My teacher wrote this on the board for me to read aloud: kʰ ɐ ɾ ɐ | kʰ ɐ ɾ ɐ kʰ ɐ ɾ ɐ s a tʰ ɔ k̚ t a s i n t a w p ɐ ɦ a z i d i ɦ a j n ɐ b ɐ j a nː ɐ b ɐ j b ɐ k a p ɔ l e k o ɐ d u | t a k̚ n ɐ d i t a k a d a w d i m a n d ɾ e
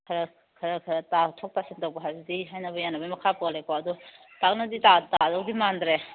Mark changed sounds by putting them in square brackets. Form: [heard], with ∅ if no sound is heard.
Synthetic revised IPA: kʰ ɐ ɾ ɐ | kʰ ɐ ɾ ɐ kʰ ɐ ɾ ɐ [t] a tʰ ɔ k̚ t a s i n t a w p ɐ ɦ a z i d i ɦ a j n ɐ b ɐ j a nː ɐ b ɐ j [m] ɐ [kʰ] a p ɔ l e k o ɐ d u | t a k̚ n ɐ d i t a [t] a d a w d i m a n d ɾ e